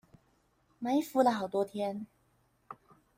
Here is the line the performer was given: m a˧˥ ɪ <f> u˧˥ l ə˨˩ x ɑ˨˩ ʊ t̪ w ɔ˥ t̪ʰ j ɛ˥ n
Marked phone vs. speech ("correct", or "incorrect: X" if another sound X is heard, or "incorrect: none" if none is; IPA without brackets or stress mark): correct